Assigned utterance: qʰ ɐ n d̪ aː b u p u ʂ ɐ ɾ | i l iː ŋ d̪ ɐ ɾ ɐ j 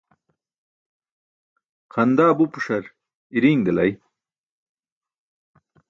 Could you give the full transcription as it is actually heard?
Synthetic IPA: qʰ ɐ n d̪ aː b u p u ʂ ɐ ɾ | i ɾ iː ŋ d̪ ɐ l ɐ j